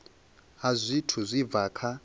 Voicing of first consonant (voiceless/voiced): voiced